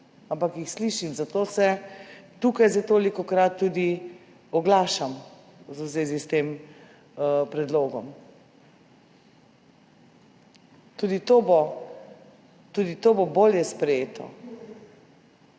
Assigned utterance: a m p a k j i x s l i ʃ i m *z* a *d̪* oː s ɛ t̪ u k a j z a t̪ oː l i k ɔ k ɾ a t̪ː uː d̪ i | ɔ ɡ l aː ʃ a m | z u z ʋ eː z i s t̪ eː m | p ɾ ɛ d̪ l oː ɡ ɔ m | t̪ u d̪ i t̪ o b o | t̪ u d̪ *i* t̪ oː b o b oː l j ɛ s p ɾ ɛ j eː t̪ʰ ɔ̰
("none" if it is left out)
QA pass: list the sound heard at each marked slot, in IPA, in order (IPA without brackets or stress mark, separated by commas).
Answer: z, t̪, i